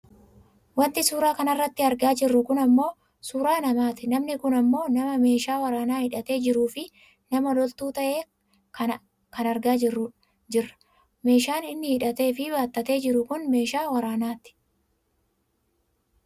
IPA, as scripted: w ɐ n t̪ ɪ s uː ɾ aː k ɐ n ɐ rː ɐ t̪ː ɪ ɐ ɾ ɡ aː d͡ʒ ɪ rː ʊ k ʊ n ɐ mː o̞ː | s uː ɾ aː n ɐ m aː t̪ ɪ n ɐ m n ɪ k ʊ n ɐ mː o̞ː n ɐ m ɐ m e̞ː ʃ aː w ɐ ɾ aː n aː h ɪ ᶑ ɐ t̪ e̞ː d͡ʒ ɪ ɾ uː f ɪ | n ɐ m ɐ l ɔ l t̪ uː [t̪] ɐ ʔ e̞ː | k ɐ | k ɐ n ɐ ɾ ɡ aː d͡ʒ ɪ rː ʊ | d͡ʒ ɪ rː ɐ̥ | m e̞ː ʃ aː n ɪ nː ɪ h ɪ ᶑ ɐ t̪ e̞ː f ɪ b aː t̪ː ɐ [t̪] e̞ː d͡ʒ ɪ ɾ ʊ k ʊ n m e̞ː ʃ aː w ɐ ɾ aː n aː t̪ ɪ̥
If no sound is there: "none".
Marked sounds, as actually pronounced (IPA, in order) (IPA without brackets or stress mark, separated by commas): t̪, t̪